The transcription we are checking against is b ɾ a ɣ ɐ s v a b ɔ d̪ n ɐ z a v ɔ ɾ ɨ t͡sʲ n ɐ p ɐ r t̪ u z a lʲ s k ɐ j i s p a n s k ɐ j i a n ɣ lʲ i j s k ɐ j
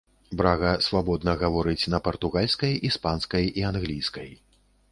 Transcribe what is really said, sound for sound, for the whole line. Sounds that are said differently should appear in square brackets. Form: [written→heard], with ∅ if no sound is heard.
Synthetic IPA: b ɾ a ɣ ɐ s v a b ɔ d̪ n ɐ [z→ɣ] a v ɔ ɾ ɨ t͡sʲ n ɐ p ɐ r t̪ u [z→ɣ] a lʲ s k ɐ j i s p a n s k ɐ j i a n ɣ lʲ i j s k ɐ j